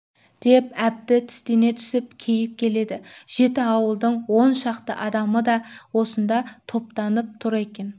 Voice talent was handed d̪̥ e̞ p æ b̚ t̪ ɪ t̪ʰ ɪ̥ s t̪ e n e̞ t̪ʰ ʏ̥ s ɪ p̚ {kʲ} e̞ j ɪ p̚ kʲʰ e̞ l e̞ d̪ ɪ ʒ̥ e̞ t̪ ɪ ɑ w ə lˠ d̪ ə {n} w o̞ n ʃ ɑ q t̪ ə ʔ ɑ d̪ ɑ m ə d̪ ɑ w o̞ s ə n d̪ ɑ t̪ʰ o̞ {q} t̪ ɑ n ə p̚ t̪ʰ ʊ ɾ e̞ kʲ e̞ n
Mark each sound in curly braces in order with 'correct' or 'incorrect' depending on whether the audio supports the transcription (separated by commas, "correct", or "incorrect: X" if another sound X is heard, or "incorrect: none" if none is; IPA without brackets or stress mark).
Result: incorrect: kʲʰ, incorrect: ɴ, incorrect: p